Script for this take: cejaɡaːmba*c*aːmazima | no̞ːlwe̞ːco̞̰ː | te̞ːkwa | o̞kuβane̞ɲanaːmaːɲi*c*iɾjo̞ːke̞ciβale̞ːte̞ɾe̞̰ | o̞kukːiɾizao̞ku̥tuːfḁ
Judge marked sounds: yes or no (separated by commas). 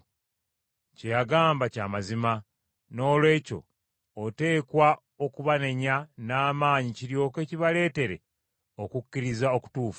yes, yes